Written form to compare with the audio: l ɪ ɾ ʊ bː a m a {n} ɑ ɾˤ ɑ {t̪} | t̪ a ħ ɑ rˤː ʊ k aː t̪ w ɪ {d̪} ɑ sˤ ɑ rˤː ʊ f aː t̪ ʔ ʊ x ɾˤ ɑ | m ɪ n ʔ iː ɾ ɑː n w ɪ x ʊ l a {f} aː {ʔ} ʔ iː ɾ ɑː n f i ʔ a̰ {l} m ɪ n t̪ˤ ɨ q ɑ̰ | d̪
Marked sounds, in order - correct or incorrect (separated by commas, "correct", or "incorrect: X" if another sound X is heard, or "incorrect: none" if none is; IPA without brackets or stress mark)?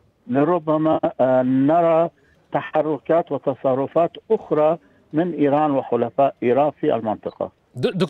correct, incorrect: none, incorrect: t̪, correct, correct, correct